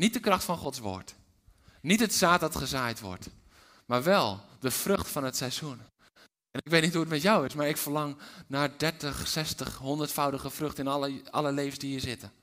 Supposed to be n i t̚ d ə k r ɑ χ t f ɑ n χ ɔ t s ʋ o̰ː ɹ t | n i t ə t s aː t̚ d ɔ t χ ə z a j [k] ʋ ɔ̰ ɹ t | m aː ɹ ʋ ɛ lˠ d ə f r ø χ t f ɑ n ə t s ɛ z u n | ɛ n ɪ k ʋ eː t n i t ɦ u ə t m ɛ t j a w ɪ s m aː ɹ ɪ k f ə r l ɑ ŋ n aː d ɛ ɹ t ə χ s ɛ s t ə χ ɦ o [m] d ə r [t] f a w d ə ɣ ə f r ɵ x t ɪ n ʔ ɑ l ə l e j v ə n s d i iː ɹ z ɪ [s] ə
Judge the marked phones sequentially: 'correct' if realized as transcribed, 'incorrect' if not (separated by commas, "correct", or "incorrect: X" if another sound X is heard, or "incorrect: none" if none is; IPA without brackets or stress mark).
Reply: incorrect: t, incorrect: n, correct, incorrect: t